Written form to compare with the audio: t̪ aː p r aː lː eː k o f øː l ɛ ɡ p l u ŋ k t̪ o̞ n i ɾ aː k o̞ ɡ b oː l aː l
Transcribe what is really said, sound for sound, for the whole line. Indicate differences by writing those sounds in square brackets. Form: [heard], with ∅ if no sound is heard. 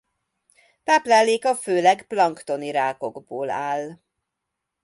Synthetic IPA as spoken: t̪ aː p [l] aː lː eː k [ɒ] f øː l ɛ ɡ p l [ɒ] ŋ k t̪ o̞ n i ɾ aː k o̞ ɡ b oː l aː l